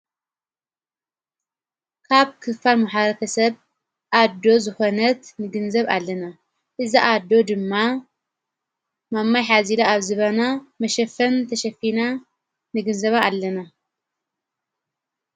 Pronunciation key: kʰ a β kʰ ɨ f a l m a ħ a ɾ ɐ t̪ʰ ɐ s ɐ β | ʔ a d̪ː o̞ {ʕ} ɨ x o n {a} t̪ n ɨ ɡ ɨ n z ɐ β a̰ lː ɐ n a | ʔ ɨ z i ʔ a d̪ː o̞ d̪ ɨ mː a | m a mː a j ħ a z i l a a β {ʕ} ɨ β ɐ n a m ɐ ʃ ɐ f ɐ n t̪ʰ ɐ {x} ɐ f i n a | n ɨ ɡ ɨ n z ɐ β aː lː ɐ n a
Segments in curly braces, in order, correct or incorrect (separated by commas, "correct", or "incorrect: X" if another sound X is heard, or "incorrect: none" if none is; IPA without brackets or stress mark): incorrect: z, incorrect: ɐ, incorrect: z, incorrect: ʃ